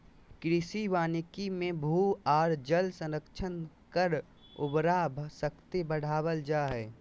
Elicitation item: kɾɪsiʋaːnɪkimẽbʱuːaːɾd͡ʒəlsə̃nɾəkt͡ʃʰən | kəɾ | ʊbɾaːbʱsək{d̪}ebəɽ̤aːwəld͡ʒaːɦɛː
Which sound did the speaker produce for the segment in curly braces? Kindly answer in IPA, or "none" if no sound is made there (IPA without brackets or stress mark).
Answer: t̪